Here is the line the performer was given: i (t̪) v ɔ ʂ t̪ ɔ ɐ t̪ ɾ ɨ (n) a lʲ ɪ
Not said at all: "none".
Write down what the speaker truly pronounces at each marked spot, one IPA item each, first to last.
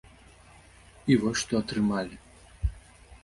none, m

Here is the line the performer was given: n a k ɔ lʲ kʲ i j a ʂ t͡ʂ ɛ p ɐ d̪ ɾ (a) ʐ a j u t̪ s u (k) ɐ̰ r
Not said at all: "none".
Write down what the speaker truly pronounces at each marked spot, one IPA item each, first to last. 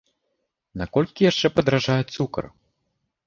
a, k

